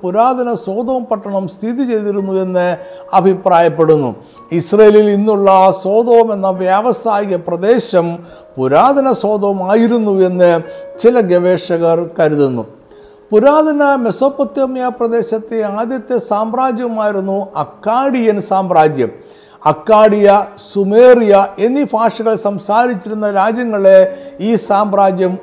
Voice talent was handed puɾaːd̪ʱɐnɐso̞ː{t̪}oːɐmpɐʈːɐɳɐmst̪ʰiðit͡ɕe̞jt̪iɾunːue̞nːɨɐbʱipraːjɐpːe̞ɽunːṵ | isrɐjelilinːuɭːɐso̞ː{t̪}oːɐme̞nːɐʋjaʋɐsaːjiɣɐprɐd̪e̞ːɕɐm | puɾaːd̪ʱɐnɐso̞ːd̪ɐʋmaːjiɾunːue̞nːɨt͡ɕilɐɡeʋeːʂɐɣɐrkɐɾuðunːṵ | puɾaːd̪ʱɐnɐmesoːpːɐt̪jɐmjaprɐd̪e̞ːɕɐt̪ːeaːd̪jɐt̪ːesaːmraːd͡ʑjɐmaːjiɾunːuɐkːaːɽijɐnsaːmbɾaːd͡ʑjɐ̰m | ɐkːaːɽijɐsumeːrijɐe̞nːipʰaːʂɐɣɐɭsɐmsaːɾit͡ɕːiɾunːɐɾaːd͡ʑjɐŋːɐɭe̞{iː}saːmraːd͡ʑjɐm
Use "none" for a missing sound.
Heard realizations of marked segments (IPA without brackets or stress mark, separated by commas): d̪, d̪, iː